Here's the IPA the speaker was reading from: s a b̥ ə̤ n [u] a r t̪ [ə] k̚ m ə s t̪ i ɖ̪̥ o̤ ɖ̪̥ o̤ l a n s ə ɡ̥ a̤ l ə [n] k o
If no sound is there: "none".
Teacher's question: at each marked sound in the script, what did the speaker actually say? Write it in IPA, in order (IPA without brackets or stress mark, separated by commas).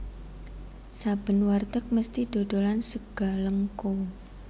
w, ə, ŋ